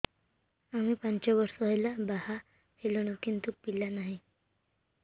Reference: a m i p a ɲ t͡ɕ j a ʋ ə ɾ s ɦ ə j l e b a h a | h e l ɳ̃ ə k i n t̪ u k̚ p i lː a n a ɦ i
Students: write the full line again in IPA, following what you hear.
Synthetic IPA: a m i p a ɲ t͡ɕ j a ʋ ə ɾ s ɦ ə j l a b a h a | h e l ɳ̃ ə k i n t̪ u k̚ p i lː a n a ɦ i